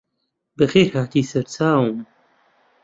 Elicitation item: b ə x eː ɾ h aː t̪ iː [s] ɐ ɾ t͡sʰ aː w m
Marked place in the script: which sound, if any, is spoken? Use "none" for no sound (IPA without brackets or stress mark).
s